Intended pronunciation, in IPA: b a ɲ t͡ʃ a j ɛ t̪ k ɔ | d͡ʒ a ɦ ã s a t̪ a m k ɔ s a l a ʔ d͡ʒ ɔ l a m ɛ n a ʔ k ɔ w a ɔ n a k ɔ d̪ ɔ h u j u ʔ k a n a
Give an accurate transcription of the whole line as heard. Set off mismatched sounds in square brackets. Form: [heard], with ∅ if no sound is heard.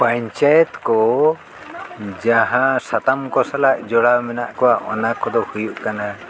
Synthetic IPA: [p] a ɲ t͡ʃ a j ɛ t̪ k ɔ | d͡ʒ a ɦ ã s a t̪ a m k ɔ s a l a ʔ d͡ʒ ɔ [ɽ] a m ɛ n a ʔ k ɔ w a ɔ n a k ɔ d̪ ɔ h u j u ʔ k a n a